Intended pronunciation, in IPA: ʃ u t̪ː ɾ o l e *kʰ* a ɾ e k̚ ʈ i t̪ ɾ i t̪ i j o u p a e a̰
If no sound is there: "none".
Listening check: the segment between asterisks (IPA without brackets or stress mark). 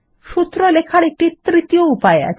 kʰ